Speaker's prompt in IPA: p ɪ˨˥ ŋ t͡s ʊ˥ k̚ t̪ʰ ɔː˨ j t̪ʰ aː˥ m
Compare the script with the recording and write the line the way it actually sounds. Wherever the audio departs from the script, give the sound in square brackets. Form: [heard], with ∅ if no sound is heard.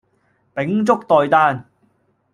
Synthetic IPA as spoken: p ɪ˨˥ ŋ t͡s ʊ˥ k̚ [t̪] ɔː˨ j [t̪] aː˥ [n]

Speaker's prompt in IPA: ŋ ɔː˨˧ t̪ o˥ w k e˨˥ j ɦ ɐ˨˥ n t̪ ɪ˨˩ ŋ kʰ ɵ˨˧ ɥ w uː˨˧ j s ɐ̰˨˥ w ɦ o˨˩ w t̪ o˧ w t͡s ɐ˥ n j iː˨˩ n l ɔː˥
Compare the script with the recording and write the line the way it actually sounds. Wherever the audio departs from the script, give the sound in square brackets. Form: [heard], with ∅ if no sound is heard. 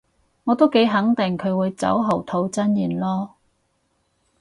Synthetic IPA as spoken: ŋ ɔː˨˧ t̪ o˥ w k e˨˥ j ɦ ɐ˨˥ [ŋ] t̪ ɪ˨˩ ŋ kʰ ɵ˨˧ ɥ w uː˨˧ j [t͡s] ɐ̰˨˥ w ɦ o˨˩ w [t̪ʰ] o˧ w t͡s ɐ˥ n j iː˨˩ n l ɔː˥

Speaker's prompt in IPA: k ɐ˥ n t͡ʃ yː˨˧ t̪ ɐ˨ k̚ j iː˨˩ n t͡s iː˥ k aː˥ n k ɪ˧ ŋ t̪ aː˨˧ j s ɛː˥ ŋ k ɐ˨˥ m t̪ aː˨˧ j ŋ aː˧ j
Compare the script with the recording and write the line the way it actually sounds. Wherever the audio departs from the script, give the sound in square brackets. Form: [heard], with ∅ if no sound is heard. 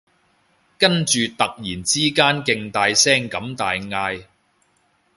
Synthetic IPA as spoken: k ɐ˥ n t͡ʃ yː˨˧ t̪ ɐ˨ k̚ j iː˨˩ n t͡s iː˥ k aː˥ n k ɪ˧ ŋ t̪ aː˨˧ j s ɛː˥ ŋ k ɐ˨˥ m t̪ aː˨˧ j ŋ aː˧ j

